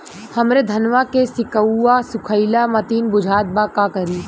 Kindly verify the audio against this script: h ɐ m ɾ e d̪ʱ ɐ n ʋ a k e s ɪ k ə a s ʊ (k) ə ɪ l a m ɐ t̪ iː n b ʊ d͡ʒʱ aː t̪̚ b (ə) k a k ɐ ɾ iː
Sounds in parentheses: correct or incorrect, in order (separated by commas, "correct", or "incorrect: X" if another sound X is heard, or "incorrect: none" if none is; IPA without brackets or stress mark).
incorrect: kʰ, incorrect: a